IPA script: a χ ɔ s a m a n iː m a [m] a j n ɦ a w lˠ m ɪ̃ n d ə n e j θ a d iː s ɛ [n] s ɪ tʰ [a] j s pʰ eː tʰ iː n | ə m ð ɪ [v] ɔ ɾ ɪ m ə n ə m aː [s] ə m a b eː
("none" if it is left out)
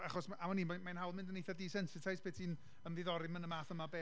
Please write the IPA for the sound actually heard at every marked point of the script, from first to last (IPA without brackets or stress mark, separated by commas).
m, n, a, ð, θ